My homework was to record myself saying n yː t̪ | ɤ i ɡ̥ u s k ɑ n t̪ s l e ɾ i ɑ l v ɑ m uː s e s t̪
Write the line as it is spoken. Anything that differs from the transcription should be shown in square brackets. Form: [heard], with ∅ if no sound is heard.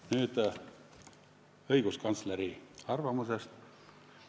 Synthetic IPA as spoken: n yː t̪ | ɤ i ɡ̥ u s k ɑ n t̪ s l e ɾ i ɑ [r] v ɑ m [u] s e s t̪